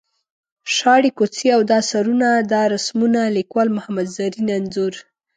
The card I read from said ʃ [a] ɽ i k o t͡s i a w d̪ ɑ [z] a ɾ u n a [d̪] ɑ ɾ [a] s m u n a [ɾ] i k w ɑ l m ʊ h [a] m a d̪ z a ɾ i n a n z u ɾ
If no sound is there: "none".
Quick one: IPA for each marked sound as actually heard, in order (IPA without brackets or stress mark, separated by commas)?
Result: ɑ, s, d̪, a, l, a